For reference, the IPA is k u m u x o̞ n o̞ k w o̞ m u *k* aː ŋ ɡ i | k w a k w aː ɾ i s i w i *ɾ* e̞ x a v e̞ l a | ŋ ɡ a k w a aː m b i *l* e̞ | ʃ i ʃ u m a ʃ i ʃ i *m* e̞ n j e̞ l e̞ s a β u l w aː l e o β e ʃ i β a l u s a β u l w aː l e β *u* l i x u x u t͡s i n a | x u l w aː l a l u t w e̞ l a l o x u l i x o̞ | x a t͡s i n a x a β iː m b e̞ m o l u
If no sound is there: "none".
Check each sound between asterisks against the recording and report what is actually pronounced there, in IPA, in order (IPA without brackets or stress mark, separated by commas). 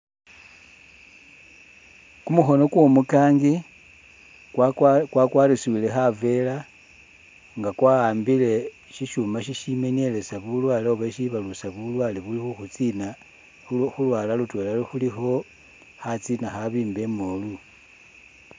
k, l, l, m, u